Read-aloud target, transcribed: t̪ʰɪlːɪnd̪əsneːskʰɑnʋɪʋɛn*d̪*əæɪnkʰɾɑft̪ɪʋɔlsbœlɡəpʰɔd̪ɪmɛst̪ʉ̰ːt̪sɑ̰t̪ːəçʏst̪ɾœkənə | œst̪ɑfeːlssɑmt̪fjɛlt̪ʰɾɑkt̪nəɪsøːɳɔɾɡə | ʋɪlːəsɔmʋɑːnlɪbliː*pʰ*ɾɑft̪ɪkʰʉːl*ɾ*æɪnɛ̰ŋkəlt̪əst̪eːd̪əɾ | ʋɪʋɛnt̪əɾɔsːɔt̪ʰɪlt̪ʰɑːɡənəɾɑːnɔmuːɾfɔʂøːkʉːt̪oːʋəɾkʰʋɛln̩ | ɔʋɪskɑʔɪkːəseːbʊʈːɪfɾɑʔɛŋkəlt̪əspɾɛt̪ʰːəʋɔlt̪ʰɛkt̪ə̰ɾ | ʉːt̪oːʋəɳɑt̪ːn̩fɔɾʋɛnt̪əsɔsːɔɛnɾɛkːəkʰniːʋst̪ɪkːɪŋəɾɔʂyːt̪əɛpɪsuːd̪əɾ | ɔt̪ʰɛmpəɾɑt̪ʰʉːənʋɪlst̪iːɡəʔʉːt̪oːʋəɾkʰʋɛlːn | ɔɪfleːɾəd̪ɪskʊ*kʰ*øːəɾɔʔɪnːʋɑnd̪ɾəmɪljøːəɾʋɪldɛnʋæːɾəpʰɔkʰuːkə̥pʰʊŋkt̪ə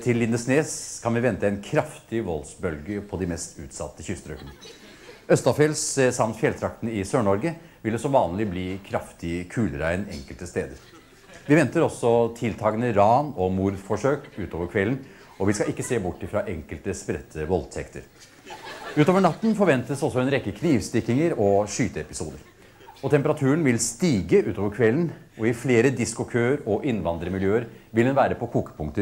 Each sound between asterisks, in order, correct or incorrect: incorrect: t̪, incorrect: kʰ, correct, correct

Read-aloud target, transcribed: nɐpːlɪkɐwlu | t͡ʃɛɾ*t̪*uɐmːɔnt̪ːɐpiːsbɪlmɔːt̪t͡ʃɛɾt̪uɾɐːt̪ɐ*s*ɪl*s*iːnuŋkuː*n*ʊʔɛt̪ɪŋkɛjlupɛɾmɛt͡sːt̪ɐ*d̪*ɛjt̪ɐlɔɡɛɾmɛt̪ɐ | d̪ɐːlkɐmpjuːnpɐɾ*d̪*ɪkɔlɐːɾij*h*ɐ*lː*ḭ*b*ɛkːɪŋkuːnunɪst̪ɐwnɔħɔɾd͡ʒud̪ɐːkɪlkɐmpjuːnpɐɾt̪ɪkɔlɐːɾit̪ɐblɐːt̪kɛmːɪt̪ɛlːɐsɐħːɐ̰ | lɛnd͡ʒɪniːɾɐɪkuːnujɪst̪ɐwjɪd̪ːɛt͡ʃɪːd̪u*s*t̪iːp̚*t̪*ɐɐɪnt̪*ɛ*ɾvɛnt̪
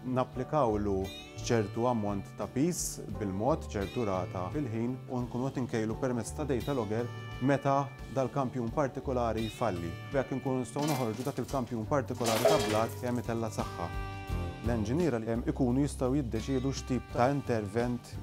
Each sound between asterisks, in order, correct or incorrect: correct, incorrect: f, incorrect: ħ, correct, correct, incorrect: t̪, incorrect: f, correct, correct, incorrect: ʃ, correct, correct

